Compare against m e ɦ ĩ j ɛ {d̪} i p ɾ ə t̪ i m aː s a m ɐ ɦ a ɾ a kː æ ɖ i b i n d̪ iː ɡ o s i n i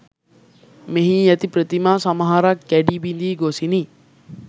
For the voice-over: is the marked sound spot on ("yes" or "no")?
no